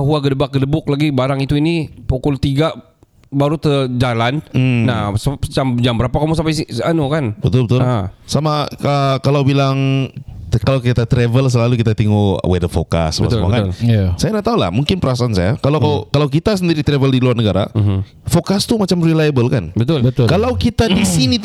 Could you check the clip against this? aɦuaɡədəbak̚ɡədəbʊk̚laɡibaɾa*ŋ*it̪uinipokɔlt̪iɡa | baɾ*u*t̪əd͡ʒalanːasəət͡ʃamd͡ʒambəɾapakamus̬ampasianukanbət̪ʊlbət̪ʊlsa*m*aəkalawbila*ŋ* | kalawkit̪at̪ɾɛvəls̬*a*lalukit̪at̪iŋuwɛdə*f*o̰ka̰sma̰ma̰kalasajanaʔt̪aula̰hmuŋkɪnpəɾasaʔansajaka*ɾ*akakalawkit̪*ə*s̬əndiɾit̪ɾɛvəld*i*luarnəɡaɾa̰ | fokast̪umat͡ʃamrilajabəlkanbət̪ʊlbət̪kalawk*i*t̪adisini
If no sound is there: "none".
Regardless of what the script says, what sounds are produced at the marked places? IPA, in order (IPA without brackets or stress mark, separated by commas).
ŋ, u, m, ŋ, ə, f, l, a, i, i